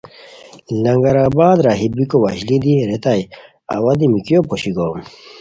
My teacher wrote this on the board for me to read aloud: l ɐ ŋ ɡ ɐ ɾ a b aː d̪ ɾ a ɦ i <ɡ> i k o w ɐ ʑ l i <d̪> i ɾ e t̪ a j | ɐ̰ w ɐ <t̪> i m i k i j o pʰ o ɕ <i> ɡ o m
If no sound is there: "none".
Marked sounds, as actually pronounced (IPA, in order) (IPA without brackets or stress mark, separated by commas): b, d̪, d̪, i